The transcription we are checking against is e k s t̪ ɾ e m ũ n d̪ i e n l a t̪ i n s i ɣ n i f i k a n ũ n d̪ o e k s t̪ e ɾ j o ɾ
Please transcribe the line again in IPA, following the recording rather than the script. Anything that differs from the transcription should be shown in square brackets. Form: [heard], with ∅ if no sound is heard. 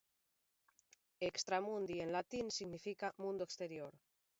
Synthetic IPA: e k s t̪ ɾ [a] m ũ n d̪ i e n l a t̪ i n s i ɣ n i f i k a [m] ũ n d̪ o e k s t̪ e ɾ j o ɾ